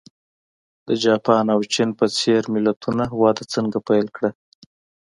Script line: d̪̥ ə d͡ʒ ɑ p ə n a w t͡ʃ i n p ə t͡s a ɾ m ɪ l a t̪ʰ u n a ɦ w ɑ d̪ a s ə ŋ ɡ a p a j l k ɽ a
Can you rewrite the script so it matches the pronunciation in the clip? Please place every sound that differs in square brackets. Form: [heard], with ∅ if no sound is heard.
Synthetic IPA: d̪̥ ə d͡ʒ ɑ p [ɑ] n a w t͡ʃ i n p ə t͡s [e] ɾ m ɪ l a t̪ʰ u n a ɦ w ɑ d̪ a [t͡s] ə ŋ ɡ a p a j l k ɽ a